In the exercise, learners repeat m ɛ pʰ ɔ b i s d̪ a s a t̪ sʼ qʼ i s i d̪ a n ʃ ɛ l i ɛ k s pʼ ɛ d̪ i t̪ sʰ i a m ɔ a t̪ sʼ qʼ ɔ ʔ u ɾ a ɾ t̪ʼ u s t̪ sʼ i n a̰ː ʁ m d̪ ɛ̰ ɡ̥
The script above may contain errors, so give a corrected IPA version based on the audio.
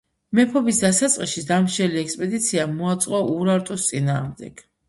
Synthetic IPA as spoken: m ɛ pʰ ɔ b i s d̪ a s a t̪ sʼ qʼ i ʃ i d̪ a m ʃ ɛ l i ɛ k s pʼ ɛ d̪ i t̪ sʰ i a m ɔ a t̪ sʼ qʼ ɔ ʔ u ɾ a ɾ t̪ʼ u s t̪ sʼ i n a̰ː ʁ m d̪ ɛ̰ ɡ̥